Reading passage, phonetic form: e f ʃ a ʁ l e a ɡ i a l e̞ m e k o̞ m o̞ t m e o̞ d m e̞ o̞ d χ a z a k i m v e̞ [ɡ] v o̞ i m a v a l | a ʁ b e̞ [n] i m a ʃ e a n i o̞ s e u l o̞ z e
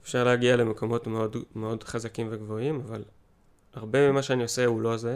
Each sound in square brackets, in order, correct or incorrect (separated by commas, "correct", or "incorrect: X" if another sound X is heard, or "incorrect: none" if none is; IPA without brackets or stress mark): correct, incorrect: m